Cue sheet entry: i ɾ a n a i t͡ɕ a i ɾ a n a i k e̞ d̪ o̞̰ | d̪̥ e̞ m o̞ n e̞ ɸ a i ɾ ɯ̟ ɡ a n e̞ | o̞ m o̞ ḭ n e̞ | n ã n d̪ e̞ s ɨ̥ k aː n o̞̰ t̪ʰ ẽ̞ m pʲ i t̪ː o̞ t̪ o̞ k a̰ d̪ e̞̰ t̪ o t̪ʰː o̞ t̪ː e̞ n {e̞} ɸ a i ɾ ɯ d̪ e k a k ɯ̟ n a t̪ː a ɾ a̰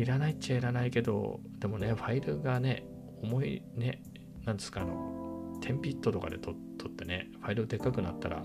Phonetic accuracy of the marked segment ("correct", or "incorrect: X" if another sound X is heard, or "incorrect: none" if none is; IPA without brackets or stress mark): correct